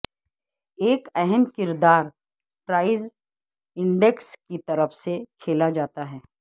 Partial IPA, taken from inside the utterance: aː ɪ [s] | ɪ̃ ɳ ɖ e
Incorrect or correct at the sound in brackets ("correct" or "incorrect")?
incorrect